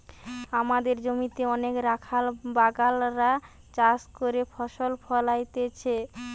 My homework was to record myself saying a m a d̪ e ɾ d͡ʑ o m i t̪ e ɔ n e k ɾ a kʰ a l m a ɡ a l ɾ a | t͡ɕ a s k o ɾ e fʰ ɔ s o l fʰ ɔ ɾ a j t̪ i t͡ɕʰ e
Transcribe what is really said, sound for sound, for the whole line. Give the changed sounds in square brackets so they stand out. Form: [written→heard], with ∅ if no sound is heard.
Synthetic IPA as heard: a m a d̪ e ɾ d͡ʑ o m i t̪ e ɔ n e k ɾ a kʰ a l [m→b] a ɡ a l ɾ a | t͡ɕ a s k o ɾ e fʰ ɔ [s→ʃ] o l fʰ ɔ [ɾ→l] a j t̪ [i→e] t͡ɕʰ e